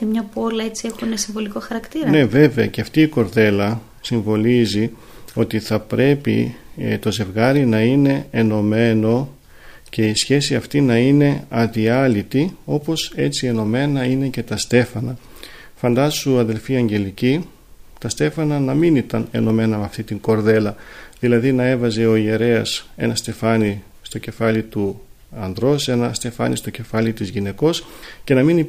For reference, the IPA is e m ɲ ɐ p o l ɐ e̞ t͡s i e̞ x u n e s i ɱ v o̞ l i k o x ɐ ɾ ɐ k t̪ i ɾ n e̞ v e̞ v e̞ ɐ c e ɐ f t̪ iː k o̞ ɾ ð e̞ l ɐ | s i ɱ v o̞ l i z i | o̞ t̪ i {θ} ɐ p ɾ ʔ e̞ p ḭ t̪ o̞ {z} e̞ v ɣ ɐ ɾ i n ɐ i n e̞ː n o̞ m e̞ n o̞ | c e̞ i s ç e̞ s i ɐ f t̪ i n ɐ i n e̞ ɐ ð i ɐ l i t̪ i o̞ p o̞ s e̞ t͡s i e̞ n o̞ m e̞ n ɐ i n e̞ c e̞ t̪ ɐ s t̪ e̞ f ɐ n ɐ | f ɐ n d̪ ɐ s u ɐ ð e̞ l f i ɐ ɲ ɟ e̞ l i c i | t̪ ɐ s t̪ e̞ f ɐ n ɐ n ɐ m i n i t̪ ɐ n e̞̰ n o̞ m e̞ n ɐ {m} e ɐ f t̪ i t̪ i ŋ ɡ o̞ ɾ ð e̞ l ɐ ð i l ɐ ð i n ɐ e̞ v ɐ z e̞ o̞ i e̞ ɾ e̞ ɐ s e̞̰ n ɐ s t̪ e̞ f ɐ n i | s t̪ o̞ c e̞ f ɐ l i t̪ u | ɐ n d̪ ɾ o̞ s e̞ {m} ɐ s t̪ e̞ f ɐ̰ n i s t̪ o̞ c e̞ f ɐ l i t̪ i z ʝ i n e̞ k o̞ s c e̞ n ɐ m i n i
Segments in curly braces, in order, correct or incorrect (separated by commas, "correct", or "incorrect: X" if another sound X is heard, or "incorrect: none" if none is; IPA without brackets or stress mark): correct, correct, correct, incorrect: n